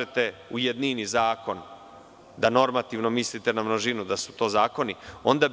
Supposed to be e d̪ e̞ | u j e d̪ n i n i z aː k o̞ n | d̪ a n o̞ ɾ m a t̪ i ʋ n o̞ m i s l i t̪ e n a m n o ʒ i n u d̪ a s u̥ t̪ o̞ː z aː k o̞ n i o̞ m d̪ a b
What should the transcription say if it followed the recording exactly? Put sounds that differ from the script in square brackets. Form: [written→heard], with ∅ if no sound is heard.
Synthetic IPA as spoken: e [d̪→t̪] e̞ | u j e d̪ n i n i z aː k o̞ n | d̪ a n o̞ ɾ m a t̪ i ʋ n o̞ m i s l i t̪ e n a m n o ʒ i n u d̪ a s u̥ t̪ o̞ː z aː k o̞ n i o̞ [m→n] d̪ a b